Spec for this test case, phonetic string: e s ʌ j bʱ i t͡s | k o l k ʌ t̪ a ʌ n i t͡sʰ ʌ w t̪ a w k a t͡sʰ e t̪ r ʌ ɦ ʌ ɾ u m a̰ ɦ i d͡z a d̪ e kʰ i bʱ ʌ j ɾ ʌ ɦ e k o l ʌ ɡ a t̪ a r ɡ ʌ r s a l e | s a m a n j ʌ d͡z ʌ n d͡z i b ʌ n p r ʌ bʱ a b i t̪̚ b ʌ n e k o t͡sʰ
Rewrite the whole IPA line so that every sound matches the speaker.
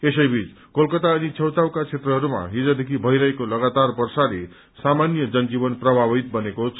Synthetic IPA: e s ʌ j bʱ i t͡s | k o l k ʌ t̪ a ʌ n i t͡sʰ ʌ w t̪ a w k a t͡sʰ e t̪ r ʌ ɦ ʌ ɾ u m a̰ ɦ i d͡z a d̪ e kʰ i bʱ ʌ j ɾ ʌ ɦ e k o l ʌ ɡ a t̪ a r b ʌ r s a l e | s a m a n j ʌ d͡z ʌ n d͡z i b ʌ n p r ʌ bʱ a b i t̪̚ b ʌ n e k o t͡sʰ